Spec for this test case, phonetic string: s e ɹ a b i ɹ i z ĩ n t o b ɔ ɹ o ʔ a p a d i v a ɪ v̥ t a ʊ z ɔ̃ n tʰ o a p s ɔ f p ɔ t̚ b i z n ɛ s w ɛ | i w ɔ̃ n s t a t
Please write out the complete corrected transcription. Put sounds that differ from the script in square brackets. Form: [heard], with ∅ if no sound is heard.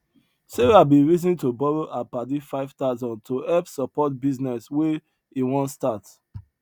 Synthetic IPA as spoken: s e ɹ a b i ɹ i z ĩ n t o b ɔ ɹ o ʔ a p a d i [f] a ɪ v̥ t a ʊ z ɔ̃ n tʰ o [ɛ] p s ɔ [∅] p ɔ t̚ b i z n ɛ s w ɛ | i w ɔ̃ n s t a t